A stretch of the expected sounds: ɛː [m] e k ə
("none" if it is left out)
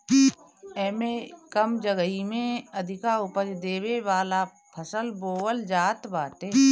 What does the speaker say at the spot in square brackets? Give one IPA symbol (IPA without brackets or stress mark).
m